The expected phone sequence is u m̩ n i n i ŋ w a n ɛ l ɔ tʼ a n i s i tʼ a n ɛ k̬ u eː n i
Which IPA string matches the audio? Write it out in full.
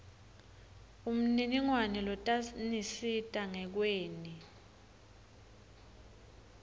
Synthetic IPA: u m̩ n i n i ŋ w a n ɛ l ɔ tʼ a n i s i tʼ a ŋ ɛ k̬ w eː n i